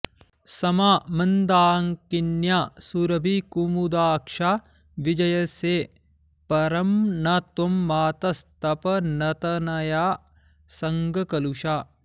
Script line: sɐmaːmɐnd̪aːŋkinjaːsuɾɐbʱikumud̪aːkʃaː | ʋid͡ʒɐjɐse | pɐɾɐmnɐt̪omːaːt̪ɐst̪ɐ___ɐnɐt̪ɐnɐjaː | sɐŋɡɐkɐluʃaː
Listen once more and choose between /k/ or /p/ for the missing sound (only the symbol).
p